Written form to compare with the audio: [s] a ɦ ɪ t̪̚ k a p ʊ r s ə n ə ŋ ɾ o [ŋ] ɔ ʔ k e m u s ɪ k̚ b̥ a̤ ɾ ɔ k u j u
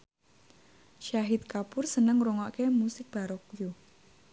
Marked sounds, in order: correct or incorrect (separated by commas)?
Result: incorrect, correct